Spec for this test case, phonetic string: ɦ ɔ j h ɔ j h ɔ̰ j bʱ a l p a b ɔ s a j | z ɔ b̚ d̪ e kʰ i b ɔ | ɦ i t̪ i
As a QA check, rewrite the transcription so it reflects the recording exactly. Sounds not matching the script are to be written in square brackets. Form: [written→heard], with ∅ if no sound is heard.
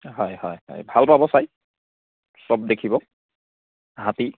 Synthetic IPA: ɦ ɔ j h ɔ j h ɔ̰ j bʱ a l p a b ɔ s a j | [z→s] ɔ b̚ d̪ e kʰ i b ɔ | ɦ [i→a] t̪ i